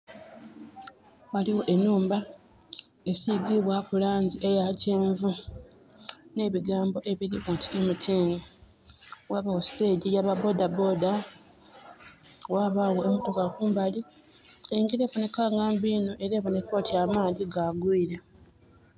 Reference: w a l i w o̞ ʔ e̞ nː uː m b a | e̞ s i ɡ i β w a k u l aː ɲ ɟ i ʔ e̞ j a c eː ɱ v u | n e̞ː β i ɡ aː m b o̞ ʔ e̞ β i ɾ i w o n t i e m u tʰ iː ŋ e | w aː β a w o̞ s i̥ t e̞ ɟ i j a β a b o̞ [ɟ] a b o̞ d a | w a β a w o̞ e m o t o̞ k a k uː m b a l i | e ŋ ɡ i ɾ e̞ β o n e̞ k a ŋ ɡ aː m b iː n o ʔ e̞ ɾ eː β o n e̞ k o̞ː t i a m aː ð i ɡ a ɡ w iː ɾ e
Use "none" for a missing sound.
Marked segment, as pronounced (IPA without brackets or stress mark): d